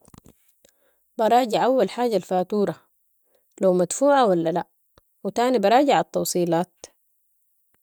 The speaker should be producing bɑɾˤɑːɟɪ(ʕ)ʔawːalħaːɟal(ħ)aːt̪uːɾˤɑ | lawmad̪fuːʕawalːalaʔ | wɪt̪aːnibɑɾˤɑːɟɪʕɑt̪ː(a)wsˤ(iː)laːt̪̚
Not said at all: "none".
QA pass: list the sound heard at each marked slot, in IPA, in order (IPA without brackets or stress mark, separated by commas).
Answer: ʕ, f, ɑ, iː